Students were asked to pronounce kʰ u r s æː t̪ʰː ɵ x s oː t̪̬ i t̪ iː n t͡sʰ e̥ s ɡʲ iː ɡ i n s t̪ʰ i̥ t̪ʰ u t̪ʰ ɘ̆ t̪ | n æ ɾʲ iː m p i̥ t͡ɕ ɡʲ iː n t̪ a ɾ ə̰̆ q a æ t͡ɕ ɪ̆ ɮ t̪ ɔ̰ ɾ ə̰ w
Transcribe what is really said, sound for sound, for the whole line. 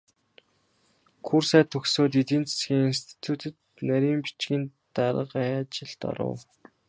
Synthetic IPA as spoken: kʰ u r s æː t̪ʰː ɵ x s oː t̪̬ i t̪ iː n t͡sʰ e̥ s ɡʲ iː ŋ i n s t̪ʰ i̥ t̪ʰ u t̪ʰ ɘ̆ t̪ | n æ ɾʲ iː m p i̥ t͡ɕ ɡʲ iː n t̪ a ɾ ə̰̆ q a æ t͡ɕ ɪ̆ ɮ t̪ ɔ̰ ɾ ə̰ w

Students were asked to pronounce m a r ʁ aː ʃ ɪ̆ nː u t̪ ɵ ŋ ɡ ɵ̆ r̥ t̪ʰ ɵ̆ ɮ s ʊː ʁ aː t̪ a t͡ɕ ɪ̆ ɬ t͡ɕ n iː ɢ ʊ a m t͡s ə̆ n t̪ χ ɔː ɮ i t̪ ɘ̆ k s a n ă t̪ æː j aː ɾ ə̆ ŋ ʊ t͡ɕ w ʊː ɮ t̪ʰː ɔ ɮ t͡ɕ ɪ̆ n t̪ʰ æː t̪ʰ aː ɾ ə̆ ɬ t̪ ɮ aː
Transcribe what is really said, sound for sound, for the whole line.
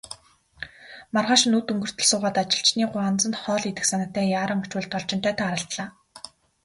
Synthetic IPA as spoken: m a r ʁ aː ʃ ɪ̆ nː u t̪ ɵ ŋ ɡ ɵ̆ r̥ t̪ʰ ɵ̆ ɮ s ʊː ʁ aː t̪ a t͡ɕ ɪ̆ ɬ t͡ɕ n iː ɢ ʊ a n t͡s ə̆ n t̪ χ ɔː ɮ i t̪ ɘ̆ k s a n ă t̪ æː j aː ɾ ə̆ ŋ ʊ t͡ɕ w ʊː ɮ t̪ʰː ɔ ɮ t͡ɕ ɪ̆ n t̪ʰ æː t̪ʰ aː ɾ ə̆ ɬ t̪ ɮ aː

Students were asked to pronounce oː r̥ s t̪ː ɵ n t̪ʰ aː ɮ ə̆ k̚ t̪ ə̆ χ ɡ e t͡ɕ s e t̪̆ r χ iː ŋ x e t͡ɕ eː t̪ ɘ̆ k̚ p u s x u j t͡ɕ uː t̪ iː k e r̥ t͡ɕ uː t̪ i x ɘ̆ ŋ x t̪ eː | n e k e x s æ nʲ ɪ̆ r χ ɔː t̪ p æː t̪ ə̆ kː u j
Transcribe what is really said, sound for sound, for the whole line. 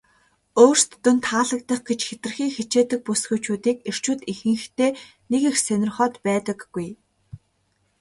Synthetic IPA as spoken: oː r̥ s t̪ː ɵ n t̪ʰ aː ɮ ə̆ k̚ t̪ ə̆ χ ɡ e t͡ɕ x e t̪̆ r x iː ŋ x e t͡ɕ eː t̪ ɘ̆ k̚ p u s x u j t͡ɕ uː t̪ iː k e r̥ t͡ɕ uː t̪ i x ɘ̆ ŋ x t̪ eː | n e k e x s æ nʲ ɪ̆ r χ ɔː t̪ p æː t̪ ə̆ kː u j

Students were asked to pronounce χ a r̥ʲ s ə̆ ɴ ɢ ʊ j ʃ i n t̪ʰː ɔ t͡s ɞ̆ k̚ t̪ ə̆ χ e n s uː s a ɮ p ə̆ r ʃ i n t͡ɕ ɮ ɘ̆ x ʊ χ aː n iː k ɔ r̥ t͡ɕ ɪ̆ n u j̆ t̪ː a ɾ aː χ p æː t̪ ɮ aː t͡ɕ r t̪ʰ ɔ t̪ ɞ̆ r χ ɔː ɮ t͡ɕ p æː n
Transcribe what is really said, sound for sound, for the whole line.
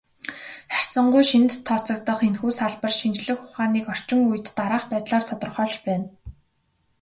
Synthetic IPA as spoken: χ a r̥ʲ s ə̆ ɴ ɢ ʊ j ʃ i n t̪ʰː ɔ t͡s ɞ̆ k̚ t̪ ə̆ χ e n x uː s a ɮ p ə̆ r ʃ i n t͡ɕ ɮ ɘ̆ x ʊ χ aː n iː k ɔ r̥ t͡ɕ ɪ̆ ŋ u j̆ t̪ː a ɾ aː χ p æː t̪ ɮ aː r t̪ʰ ɔ t̪ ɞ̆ r χ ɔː ɮ t͡ɕ p æː n

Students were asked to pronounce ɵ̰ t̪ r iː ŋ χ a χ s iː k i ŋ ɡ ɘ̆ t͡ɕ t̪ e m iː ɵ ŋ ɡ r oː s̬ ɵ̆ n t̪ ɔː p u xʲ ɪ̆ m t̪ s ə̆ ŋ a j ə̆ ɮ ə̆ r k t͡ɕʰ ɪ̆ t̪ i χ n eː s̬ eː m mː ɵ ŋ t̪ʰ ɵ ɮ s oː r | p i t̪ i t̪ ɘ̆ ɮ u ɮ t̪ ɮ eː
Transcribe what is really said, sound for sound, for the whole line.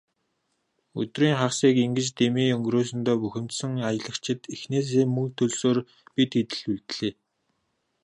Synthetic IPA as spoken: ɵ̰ t̪ r iː ŋ χ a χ s iː k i ŋ ɡ ɘ̆ t͡ɕ t̪ e m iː ɵ ŋ ɡ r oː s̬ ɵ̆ n t̪ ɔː p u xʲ ɪ̆ m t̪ s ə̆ ŋ a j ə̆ ɮ ə̆ k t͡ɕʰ ɪ̆ t̪ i x n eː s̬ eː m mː ɵ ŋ t̪ʰ ɵ ɮ s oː r | p i t̪ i t̪ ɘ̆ ɮ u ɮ t̪ ɮ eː

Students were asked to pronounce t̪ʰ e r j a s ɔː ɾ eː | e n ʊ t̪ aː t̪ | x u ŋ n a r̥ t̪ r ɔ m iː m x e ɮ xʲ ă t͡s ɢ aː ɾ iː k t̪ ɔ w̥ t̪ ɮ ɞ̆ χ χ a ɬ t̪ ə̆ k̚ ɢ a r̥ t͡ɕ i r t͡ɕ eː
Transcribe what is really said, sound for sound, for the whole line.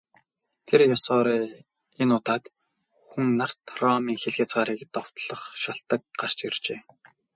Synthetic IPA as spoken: t̪ʰ e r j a s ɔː ɾ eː | e n ʊ t̪ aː t̪ | x u ŋ n a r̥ t̪ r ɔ m iː ŋ x e ɮ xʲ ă t͡s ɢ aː ɾ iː k t̪ ɔ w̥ t̪ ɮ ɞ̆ χ ʃ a ɬ t̪ ə̆ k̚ ɢ a r̥ t͡ɕ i r t͡ɕ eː

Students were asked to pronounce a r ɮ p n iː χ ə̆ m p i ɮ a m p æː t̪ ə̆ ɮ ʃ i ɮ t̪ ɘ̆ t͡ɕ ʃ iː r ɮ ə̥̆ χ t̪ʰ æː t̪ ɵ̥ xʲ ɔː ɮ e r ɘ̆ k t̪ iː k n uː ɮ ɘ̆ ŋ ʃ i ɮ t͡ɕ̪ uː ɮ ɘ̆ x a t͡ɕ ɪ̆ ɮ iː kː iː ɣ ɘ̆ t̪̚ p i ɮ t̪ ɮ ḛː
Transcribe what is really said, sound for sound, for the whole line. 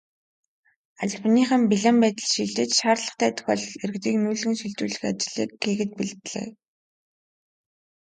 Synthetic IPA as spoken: a ɮ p n iː χ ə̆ m p i ɮ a m p æː t̪ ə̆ ɮ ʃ i ɮ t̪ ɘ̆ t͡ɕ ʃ aː r ɮ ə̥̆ χ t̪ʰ æː t̪ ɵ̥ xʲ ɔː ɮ e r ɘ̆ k t̪ iː k n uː ɮ ɘ̆ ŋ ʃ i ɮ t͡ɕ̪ uː ɮ ɘ̆ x a t͡ɕ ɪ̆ ɮ iː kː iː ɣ ɘ̆ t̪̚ p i ɮ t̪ ɮ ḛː

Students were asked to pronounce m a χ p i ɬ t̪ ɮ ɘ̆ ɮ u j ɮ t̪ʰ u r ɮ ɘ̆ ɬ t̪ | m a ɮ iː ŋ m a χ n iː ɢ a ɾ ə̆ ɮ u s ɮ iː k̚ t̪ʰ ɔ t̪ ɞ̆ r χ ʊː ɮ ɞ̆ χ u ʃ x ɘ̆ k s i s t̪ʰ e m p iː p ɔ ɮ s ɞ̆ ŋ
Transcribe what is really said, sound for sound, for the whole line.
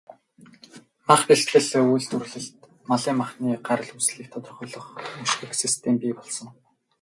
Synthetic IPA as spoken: m a χ p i ɬ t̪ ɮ ɘ̆ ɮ u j ɮ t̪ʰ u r ɮ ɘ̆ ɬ t̪ | m a ɮ iː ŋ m a χ n iː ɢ a ɾ ə̆ ɮ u s ɮ iː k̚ t̪ʰ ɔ t̪ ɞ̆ r χ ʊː ɮ ɞ̆ χ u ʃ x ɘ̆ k s i s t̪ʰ e m p iː p ɔ ɮ s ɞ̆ ŋ

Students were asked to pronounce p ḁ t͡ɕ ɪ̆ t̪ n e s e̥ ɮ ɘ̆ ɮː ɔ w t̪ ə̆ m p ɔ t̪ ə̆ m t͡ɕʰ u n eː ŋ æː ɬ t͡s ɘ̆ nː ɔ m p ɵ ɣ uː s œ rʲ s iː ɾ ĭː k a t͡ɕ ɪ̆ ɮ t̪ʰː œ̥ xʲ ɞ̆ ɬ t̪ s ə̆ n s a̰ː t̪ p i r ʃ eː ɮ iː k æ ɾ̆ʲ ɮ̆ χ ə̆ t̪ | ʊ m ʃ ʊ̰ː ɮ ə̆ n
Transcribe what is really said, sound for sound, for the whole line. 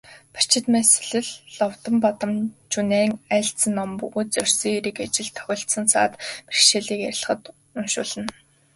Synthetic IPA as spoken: p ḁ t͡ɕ ɪ̆ t̪ m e s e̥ ɮ ɘ̆ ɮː ɔ w t̪ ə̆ m p ɔ t̪ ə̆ m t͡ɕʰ u n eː ŋ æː ɬ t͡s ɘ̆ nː ɔ m p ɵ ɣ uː t͡s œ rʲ s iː ɾ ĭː k a t͡ɕ ɪ̆ ɮ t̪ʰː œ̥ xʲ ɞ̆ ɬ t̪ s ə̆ n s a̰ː t̪ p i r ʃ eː ɮ iː k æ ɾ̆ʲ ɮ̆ χ ə̆ t̪ | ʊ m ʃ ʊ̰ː ɮ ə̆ n

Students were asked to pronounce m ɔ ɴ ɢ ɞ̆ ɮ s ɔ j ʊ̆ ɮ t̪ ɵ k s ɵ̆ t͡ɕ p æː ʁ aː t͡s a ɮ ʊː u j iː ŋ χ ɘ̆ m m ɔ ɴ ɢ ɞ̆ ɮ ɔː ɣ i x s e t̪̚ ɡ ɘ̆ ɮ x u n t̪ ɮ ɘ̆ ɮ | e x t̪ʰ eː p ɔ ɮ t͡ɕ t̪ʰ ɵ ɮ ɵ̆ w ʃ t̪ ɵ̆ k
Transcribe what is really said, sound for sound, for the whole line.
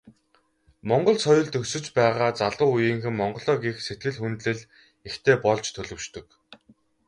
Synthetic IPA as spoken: m ɔ ɴ ɢ ɞ̆ ɮ s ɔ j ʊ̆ ɮ t̪ ɵ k s ɵ̆ t͡ɕ p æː ʁ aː t͡s a ɮ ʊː u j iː ŋ x ɘ̆ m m ɔ ɴ ɢ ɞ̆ ɮ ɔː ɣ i x s e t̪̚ ɡ ɘ̆ ɮ x u n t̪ ɮ ɘ̆ ɮ | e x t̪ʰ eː p ɔ ɮ t͡ɕ t̪ʰ ɵ ɮ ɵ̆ w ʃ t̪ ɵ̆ k

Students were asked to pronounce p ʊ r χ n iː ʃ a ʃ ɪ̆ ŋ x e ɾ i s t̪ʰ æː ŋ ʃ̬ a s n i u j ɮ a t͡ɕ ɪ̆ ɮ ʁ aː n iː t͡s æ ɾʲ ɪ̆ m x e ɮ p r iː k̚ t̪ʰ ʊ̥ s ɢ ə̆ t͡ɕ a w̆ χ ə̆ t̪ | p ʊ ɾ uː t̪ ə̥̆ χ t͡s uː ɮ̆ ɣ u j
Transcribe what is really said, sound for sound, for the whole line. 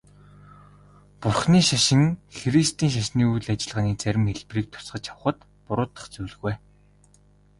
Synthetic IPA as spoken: p ʊ r χ n iː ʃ a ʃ ɪ̆ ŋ x e ɾ i s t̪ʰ iː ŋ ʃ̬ a ʃ n iː u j ɮ a t͡ɕ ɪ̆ ɮ ʁ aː n iː t͡s æ ɾʲ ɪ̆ m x e ɮ p r iː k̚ t̪ʰ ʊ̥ s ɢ ə̆ t͡ɕ a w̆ χ ə̆ t̪ | p ʊ ɾ ʊː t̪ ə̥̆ χ t͡s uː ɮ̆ ɣ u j

